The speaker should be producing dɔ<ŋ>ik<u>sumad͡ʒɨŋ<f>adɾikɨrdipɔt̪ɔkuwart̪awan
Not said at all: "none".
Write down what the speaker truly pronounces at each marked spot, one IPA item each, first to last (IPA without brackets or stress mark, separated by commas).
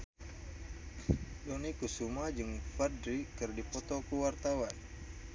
n, u, f